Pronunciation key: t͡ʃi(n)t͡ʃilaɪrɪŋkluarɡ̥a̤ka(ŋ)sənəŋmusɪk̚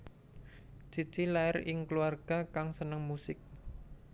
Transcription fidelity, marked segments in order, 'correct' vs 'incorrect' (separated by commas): incorrect, correct